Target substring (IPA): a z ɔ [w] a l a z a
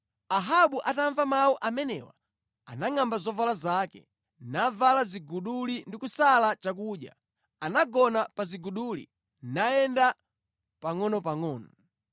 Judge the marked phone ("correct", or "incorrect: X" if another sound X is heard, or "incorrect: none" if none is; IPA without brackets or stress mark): incorrect: v